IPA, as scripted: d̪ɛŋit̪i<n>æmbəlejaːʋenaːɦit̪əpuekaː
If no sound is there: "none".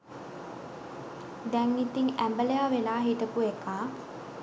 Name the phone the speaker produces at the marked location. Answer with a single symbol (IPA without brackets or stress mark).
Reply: ŋ